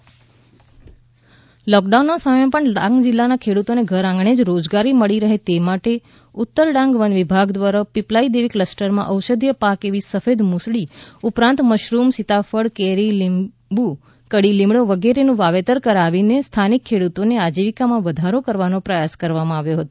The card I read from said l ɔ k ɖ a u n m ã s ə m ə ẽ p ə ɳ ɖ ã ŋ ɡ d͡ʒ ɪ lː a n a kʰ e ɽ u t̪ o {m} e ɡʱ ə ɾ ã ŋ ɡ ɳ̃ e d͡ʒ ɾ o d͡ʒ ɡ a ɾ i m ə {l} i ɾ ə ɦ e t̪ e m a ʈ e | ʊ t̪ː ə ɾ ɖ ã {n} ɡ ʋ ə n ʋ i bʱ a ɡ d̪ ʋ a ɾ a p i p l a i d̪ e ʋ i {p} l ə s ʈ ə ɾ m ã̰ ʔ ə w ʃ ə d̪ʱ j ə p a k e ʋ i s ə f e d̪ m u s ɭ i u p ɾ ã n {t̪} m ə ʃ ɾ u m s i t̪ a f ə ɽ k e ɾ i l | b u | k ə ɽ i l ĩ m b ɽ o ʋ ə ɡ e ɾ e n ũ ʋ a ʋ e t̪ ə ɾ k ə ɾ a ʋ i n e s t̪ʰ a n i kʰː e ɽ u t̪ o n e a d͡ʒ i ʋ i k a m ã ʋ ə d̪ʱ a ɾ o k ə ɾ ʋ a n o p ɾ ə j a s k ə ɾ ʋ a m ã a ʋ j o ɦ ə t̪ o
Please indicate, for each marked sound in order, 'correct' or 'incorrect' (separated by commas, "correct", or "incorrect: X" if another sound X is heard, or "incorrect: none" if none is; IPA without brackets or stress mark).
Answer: incorrect: n, incorrect: ɭ, incorrect: ŋ, incorrect: k, correct